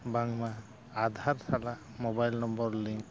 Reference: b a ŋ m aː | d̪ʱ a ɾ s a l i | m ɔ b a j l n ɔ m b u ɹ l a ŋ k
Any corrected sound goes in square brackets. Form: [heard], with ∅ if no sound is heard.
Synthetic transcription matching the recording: b a ŋ m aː | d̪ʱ a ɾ s a l [a] | m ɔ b a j l n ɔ m b [ɔ] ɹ l [i] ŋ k